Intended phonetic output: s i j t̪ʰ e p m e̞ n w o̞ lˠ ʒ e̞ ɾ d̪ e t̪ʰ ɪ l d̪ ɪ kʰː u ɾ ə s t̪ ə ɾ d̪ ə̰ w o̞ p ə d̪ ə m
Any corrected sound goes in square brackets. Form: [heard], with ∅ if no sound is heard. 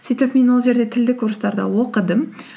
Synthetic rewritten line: s i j [t̪] e p m e̞ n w o̞ lˠ ʒ e̞ ɾ d̪ e t̪ʰ ɪ l d̪ ɪ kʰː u ɾ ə s t̪ [ɑ] ɾ d̪ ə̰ w o̞ [q] ə d̪ ə m